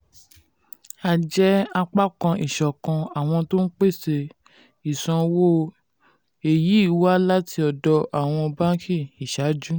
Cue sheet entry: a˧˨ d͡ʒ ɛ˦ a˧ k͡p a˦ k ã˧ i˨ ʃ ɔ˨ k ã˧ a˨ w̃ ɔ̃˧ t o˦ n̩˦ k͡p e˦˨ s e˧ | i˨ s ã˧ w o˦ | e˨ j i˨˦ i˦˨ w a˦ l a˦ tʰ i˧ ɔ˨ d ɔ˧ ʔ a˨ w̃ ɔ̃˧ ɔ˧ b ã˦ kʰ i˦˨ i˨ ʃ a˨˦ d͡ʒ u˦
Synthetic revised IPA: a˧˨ d͡ʒ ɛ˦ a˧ k͡p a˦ k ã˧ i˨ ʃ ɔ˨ k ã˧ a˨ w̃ ɔ̃˧ t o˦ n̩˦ k͡p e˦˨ s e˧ | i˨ s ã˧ w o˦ | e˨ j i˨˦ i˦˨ w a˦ l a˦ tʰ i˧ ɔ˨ d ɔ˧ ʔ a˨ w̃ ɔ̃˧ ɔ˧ b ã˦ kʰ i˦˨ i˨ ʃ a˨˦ d͡ʒ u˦